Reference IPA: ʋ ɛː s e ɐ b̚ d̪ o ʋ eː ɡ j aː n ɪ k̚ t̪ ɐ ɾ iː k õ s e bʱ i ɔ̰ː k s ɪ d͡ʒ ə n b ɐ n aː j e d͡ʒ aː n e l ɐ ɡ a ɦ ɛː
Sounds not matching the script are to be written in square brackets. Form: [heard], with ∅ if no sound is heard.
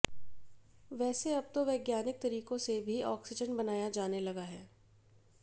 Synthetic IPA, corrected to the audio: ʋ ɛː s e ɐ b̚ [t̪] o ʋ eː ɡ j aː n ɪ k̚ t̪ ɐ ɾ iː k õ s e bʱ i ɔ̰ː k s ɪ d͡ʒ ə n b ɐ n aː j [a] d͡ʒ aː n e l ɐ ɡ a ɦ ɛː